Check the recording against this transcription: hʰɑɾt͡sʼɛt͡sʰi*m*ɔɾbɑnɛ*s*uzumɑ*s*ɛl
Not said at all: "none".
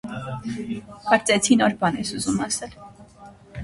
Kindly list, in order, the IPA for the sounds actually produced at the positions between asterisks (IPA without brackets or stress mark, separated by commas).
n, s, s